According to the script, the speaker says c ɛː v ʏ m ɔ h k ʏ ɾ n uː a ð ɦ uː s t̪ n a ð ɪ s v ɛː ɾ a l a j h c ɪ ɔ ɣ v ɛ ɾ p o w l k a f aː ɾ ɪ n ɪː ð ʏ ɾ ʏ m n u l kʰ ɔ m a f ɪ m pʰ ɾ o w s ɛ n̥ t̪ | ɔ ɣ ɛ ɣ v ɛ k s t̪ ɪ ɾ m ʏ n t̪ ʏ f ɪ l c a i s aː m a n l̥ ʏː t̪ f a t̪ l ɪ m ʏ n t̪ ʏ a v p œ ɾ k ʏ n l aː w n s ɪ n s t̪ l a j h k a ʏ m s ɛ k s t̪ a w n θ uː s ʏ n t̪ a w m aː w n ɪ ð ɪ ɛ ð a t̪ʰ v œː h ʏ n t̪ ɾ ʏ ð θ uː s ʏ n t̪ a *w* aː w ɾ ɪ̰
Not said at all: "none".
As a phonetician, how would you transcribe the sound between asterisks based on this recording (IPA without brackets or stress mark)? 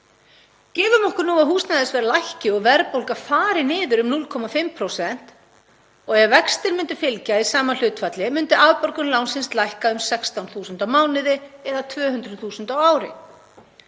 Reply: w